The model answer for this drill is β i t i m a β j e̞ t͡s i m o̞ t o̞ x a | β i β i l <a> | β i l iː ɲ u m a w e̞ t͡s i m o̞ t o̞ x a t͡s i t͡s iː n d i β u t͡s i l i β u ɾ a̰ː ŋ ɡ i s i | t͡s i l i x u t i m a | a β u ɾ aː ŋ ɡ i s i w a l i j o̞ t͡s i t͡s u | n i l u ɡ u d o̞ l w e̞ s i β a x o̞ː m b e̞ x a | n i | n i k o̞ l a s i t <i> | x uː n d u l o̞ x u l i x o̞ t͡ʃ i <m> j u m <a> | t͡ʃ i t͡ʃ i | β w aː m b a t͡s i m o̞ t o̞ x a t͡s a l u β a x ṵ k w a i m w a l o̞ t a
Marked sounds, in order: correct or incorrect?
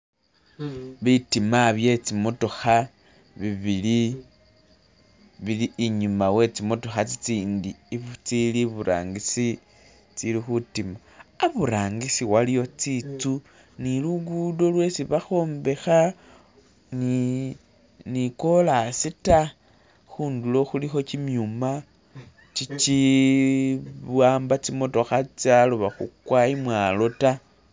incorrect, incorrect, correct, correct

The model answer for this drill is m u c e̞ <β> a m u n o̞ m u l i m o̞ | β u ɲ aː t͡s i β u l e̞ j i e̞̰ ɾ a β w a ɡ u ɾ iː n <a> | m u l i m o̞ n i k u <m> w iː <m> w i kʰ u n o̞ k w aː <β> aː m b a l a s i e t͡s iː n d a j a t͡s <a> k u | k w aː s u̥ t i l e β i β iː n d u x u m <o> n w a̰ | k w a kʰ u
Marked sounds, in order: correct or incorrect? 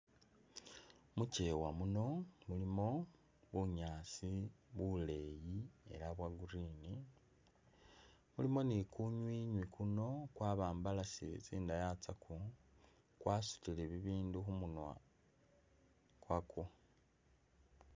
incorrect, incorrect, incorrect, incorrect, correct, correct, incorrect

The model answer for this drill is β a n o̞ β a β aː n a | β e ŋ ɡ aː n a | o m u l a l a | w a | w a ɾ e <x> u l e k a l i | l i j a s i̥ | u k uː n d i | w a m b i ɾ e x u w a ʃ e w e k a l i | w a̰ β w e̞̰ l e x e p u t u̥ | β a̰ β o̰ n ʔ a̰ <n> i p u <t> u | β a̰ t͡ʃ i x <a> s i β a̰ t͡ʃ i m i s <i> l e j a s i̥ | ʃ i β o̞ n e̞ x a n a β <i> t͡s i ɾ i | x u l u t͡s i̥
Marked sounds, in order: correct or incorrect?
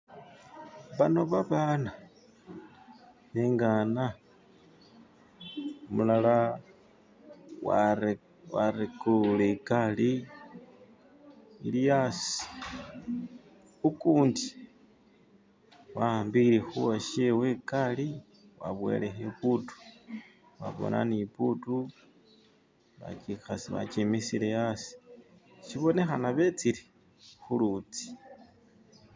incorrect, correct, correct, correct, correct, incorrect

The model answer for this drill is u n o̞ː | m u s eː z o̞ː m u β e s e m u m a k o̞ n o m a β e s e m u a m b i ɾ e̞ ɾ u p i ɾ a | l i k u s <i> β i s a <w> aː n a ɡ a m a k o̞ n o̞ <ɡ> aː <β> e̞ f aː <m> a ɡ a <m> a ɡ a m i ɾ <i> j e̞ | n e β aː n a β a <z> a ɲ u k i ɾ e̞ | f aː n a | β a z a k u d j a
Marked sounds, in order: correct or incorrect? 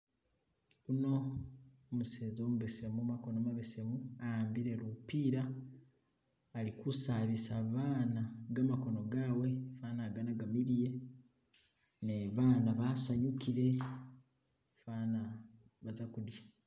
incorrect, incorrect, correct, incorrect, incorrect, incorrect, correct, incorrect

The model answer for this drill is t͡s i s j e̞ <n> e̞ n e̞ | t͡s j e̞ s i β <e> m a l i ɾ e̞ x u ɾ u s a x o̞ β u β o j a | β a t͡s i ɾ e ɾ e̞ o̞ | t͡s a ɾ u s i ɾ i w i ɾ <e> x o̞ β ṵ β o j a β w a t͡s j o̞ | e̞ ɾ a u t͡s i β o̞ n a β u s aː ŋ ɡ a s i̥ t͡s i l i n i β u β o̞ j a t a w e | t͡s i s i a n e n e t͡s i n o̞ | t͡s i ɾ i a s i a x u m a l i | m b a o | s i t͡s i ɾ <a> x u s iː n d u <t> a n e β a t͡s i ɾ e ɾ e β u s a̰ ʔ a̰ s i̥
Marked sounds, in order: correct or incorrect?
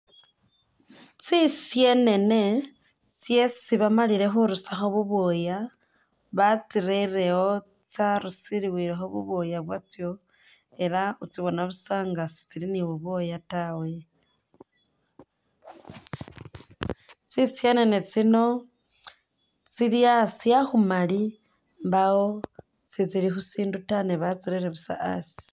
correct, incorrect, correct, incorrect, correct

